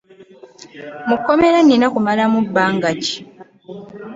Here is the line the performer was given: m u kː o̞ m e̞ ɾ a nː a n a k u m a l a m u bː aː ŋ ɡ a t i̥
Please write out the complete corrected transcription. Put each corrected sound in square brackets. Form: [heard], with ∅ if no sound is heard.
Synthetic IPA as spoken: m u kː o̞ m e̞ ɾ a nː [i] n a k u m a l a m u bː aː ŋ ɡ a [c] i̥

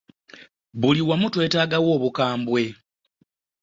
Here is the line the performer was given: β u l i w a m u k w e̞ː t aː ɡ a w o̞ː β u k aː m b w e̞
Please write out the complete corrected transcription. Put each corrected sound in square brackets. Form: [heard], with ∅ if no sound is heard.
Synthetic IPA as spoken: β u l i w a m u [t] w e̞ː t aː ɡ a w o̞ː β u k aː m b w e̞

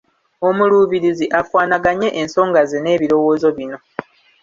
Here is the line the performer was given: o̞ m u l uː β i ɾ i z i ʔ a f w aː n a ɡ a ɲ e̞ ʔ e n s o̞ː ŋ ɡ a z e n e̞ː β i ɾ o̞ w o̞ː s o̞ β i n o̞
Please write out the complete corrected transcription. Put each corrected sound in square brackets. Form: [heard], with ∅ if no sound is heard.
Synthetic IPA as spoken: o̞ m u l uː β i ɾ i z i ʔ a f w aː n a ɡ a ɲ e̞ ʔ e n s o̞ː ŋ ɡ a z e n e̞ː β i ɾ o̞ w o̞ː [z] o̞ β i n o̞

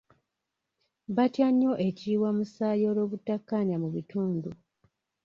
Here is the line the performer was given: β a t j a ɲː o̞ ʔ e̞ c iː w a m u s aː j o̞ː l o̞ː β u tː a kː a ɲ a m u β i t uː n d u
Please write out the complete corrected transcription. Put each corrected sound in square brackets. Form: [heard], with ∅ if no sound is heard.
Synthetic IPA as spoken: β a t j a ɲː o̞ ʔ e̞ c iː w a m u s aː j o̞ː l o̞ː β u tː a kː a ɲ a m u β i t uː n d u

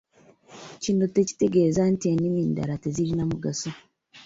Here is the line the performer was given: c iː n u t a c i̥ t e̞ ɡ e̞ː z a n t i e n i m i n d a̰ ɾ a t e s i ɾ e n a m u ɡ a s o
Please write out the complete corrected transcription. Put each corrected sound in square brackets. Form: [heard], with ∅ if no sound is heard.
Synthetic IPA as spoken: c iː n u t [e] c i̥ t e̞ ɡ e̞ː z a n t i e n i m i n d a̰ ɾ a t e [z] i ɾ [i] n a m u ɡ a s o

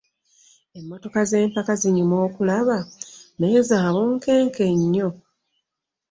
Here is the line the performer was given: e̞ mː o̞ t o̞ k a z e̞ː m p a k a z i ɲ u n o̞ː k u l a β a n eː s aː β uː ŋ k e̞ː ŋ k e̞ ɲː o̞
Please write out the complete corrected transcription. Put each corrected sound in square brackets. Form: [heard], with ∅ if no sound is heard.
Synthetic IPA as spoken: e̞ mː o̞ t o̞ k a z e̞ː m p a k a z i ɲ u [m] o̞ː k u l a β a n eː [z] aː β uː ŋ k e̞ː ŋ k e̞ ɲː o̞

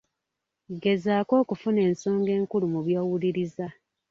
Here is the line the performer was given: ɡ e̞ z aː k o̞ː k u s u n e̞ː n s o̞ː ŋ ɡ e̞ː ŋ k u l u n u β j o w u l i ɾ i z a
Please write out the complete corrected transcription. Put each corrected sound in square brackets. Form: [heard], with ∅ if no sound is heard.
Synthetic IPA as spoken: ɡ e̞ z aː k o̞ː k u [f] u n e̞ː n s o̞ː ŋ ɡ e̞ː ŋ k u l u [m] u β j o w u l i ɾ i z a

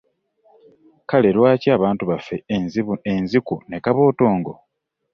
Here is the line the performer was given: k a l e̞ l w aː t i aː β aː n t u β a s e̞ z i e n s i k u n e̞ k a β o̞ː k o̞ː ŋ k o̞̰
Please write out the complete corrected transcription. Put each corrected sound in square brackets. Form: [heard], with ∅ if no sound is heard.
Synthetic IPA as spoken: k a l e̞ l w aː [c] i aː β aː n t u β a [f] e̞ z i e n [z] i k u n e̞ k a β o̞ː [t] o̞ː ŋ [ɡ] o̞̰

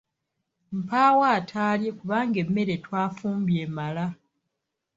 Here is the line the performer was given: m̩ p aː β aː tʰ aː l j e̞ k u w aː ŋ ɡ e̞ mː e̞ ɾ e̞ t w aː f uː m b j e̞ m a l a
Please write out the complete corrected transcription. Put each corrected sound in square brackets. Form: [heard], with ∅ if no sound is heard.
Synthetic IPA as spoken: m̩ p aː [w] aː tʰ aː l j e̞ k u [β] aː ŋ ɡ e̞ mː e̞ ɾ e̞ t w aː f uː m b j e̞ m a l a

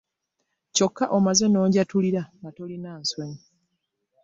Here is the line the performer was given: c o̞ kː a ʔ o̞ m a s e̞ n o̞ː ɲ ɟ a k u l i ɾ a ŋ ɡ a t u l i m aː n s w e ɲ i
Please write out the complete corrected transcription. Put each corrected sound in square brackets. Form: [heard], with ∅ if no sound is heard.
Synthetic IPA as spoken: c o̞ kː a ʔ o̞ m a [z] e̞ n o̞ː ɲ ɟ a [t] u l i ɾ a ŋ ɡ a t [o] l i [n] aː n s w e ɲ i

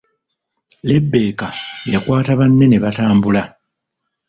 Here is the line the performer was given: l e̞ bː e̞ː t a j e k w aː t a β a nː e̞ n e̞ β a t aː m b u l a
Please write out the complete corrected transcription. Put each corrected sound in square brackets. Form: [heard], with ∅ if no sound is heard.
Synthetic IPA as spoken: l e̞ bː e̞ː [k] a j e k w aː t a β a nː e̞ n e̞ β a t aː m b u l a

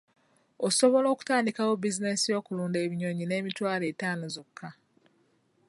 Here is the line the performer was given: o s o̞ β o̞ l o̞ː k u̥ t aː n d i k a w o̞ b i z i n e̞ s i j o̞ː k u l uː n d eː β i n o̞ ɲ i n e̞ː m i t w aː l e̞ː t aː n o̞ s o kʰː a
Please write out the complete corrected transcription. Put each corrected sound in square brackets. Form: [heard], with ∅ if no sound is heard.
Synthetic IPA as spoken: o s o̞ β o̞ l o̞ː k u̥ t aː n d i k a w o̞ b i z i n e̞ s i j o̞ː k u l uː n d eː β i [ɲ] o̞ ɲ i n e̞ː m i t w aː l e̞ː t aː n o̞ [z] o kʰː a

